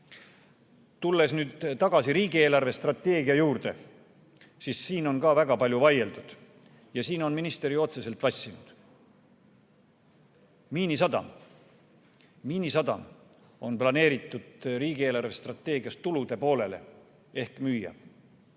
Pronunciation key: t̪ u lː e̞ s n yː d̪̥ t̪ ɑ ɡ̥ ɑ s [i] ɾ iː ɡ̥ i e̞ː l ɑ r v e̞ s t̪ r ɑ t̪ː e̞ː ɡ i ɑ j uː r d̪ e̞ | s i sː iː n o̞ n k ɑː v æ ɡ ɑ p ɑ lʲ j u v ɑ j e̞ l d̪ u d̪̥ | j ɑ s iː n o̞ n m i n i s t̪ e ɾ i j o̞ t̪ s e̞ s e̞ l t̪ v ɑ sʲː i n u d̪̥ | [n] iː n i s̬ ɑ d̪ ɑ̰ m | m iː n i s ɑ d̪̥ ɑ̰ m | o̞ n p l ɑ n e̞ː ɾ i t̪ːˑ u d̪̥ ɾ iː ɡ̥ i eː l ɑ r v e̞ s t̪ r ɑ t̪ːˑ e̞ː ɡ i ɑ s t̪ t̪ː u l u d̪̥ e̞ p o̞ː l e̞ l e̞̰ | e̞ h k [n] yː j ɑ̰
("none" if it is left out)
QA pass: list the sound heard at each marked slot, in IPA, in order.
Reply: i, m, m

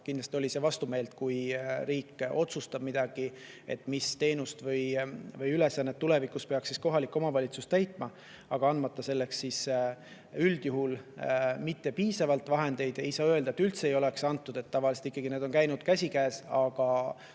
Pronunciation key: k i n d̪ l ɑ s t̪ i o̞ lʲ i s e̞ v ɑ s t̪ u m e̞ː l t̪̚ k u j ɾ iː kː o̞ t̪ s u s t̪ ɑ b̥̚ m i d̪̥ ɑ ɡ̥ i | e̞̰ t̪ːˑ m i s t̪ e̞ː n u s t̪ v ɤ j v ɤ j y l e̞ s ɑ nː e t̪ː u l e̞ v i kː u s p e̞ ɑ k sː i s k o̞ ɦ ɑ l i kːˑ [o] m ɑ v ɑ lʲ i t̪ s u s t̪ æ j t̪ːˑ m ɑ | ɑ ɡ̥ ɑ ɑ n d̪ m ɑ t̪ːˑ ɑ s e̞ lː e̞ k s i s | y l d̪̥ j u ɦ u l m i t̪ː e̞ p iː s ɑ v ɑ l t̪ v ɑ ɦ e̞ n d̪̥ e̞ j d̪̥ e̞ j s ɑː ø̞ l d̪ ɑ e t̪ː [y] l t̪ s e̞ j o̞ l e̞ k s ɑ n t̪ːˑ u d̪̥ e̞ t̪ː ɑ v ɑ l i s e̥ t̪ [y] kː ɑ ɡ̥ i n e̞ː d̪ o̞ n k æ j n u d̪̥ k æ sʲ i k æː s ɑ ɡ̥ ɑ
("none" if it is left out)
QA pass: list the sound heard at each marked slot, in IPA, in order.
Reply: o, y, i

